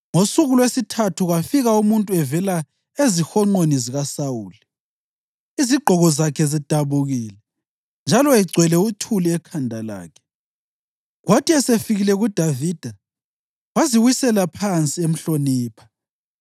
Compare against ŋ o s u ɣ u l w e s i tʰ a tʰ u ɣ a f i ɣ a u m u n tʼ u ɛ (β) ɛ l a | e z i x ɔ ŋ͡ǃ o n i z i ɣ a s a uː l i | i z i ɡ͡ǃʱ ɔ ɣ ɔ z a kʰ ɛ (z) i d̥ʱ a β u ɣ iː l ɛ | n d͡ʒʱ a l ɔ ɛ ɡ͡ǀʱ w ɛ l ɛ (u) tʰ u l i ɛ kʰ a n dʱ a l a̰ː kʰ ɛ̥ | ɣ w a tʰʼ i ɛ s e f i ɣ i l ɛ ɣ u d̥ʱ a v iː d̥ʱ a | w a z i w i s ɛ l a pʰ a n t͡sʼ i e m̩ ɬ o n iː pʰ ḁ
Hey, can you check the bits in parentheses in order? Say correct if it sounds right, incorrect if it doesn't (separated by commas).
incorrect, correct, correct